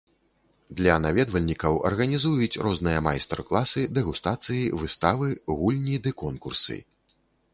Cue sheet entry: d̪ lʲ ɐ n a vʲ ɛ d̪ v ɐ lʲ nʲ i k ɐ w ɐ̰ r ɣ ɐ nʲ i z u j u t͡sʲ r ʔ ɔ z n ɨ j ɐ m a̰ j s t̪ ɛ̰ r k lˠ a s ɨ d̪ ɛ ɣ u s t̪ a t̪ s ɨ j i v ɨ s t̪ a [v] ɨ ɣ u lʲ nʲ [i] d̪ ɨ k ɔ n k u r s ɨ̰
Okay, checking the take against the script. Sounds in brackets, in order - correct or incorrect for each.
correct, correct

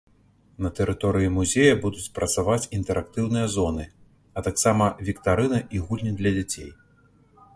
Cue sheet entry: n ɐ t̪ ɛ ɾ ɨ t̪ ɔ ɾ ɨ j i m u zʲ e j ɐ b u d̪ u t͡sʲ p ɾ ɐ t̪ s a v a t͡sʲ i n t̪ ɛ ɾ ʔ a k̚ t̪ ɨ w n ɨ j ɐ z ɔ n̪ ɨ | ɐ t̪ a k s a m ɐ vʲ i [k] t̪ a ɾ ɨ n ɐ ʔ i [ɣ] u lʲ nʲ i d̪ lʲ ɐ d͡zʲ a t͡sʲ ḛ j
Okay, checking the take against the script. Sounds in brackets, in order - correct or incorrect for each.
correct, correct

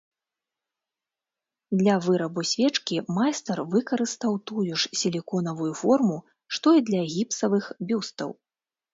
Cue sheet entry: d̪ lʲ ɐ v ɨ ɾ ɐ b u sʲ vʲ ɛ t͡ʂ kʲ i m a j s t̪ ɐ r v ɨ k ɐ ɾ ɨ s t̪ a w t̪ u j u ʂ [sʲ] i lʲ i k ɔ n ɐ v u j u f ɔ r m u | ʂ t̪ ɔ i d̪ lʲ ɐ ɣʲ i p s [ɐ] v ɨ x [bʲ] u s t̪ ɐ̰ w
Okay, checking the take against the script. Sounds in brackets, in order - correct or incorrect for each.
correct, correct, correct

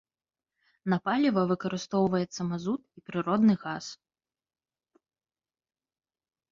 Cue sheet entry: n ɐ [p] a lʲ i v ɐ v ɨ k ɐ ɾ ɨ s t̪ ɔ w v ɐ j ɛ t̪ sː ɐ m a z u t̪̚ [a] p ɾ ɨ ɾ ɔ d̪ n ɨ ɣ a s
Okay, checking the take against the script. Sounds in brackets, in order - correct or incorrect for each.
correct, incorrect

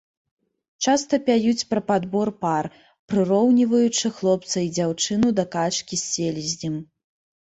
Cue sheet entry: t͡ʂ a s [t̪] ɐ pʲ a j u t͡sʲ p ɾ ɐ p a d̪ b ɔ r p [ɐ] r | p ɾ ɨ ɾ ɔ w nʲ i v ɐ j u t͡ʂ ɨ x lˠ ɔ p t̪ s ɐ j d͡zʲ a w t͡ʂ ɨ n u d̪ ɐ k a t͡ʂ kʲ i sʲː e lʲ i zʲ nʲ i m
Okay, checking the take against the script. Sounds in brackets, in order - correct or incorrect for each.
correct, incorrect

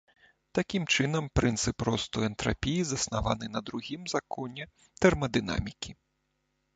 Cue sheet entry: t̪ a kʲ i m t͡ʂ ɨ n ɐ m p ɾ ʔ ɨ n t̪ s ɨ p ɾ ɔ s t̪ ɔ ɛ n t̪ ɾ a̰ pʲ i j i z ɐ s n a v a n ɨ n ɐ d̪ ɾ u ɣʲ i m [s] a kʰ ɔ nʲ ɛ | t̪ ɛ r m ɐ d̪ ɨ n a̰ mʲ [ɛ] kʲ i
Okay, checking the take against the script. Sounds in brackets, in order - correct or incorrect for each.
incorrect, incorrect

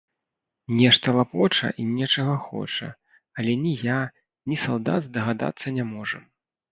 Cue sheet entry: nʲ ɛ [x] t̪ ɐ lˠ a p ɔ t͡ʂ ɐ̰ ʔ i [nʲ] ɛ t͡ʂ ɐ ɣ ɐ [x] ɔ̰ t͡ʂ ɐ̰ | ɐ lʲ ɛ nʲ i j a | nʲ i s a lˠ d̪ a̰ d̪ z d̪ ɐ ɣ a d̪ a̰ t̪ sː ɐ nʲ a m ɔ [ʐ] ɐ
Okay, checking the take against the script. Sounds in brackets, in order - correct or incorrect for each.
incorrect, correct, correct, correct

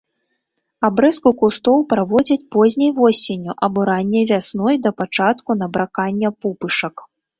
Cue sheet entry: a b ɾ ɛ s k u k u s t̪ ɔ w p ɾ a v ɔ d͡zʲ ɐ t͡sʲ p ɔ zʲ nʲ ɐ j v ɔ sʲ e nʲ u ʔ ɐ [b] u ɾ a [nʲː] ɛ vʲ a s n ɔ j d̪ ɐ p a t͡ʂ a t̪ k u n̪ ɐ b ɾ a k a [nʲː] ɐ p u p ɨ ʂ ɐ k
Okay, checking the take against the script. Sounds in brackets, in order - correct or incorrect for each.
correct, correct, correct

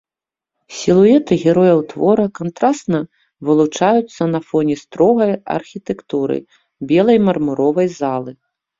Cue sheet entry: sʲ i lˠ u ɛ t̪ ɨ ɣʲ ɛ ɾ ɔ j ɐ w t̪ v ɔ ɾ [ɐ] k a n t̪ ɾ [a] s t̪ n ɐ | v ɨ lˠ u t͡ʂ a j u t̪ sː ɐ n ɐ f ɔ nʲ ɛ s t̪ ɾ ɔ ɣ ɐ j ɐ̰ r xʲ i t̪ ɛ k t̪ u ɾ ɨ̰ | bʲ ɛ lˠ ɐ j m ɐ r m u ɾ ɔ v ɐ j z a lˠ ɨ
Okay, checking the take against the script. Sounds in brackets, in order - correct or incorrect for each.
correct, correct

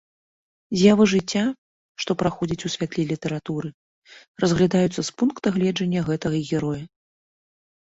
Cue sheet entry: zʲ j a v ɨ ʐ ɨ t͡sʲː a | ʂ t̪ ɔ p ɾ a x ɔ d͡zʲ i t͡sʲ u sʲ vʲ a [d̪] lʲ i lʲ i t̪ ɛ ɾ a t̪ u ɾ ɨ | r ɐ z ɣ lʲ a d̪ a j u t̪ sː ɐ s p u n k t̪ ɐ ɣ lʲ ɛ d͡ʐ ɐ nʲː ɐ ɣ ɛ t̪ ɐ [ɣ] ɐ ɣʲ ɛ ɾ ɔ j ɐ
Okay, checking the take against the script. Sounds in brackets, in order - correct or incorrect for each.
incorrect, correct

